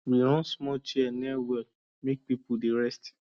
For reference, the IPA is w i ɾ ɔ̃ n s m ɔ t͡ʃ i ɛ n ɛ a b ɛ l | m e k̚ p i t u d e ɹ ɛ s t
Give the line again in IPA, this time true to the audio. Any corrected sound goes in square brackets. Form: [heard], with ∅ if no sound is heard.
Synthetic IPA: w i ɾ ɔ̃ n s m ɔ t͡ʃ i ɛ n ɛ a [w] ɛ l | m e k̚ p i [p] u d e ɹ ɛ s t